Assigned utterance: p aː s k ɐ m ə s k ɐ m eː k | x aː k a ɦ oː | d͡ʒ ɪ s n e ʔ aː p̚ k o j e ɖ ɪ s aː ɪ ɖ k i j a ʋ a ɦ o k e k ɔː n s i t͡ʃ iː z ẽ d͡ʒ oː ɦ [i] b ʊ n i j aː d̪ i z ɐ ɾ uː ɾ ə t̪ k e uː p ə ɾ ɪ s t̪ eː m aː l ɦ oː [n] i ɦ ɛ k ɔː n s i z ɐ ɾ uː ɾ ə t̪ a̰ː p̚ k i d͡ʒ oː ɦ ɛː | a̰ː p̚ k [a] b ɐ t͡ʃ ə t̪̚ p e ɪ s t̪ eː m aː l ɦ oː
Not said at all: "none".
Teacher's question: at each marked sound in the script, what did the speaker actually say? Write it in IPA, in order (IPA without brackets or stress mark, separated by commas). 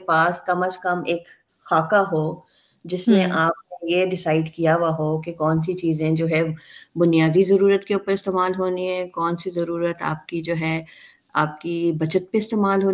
ɛ, n, i